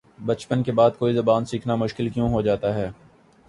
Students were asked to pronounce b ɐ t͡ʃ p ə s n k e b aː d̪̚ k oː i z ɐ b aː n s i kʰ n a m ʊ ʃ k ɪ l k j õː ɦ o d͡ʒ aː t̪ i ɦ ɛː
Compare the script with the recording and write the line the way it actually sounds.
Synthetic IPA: b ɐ t͡ʃ p ə n k e b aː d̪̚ k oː i z ɐ b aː n s iː kʰ n a m ʊ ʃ k ɪ l k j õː ɦ o d͡ʒ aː t̪ a ɦ ɛː